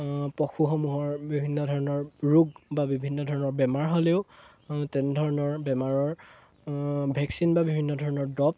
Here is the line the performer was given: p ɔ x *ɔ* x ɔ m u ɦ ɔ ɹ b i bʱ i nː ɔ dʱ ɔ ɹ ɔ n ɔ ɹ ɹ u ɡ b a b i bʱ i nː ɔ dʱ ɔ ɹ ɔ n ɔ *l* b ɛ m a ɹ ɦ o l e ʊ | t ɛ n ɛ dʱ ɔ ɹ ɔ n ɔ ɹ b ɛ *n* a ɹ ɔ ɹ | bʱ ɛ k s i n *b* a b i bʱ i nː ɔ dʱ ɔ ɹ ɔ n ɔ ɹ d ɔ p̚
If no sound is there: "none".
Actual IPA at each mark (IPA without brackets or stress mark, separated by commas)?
u, ɹ, m, b